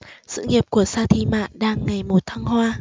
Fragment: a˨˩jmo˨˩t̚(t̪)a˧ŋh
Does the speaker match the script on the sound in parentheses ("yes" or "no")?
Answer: no